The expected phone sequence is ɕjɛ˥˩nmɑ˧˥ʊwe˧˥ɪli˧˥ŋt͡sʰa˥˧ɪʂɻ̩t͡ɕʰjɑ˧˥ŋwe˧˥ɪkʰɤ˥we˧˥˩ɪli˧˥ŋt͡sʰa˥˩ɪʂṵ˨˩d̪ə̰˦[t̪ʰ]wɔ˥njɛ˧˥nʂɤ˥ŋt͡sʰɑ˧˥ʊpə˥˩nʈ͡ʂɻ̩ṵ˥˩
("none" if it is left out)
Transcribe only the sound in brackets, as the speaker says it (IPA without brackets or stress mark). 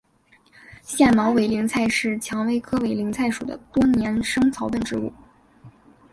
t̪